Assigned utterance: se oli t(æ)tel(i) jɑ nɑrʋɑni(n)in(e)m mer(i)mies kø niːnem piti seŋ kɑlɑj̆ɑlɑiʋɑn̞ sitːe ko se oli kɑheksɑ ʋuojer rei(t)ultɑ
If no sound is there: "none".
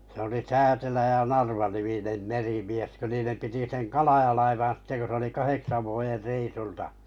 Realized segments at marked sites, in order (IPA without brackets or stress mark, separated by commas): æː, æ, m, e, i, s